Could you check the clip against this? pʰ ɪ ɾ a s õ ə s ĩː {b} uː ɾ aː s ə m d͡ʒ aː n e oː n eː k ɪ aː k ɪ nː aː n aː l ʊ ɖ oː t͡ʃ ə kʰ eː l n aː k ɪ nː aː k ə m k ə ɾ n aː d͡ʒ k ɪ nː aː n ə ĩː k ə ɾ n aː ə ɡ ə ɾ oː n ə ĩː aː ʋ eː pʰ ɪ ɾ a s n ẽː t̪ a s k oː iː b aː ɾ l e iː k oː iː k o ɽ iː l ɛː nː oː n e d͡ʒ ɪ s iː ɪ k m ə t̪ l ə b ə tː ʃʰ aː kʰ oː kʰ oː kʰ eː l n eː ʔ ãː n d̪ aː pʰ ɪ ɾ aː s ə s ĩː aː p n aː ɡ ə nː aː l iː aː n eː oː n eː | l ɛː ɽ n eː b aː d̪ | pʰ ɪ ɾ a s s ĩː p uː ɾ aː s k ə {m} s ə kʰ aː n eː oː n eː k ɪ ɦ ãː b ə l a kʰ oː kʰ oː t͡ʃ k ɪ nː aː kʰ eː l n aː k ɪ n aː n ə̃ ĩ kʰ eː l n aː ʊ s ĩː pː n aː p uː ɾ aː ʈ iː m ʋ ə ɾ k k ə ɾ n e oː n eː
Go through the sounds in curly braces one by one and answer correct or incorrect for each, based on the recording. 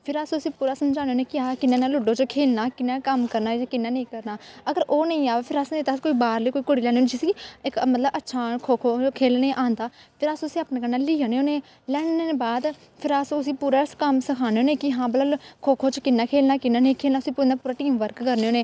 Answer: incorrect, correct

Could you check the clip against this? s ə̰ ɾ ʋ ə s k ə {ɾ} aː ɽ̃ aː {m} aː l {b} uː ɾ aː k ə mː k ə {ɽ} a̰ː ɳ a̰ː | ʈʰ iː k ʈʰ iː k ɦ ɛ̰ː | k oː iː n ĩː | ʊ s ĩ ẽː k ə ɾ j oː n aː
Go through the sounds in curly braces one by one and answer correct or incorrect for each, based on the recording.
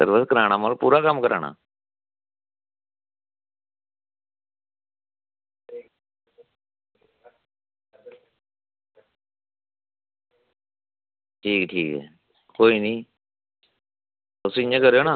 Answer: correct, correct, incorrect, incorrect

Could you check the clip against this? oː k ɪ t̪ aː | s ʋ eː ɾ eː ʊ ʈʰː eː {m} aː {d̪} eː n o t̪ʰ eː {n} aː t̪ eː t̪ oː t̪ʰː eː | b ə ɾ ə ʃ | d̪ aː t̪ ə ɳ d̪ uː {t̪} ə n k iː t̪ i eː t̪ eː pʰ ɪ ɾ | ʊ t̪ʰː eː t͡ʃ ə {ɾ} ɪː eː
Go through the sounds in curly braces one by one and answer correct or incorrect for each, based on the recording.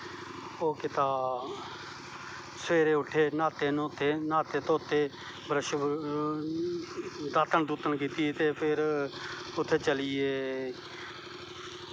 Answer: incorrect, incorrect, correct, correct, incorrect

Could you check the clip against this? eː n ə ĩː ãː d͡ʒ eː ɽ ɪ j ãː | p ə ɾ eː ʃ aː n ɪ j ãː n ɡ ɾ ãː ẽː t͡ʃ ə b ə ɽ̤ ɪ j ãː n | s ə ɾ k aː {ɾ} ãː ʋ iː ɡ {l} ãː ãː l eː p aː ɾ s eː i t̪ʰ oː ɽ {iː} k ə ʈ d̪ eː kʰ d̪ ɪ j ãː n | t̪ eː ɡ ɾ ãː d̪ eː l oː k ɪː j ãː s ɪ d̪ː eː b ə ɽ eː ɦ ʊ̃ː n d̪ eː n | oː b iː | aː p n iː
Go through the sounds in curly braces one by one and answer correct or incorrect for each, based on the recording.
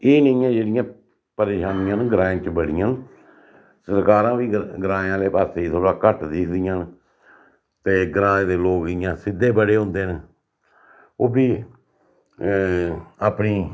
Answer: correct, incorrect, incorrect

